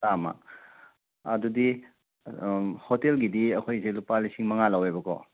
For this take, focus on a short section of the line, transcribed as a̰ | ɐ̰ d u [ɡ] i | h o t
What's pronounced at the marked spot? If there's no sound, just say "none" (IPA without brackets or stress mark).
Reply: d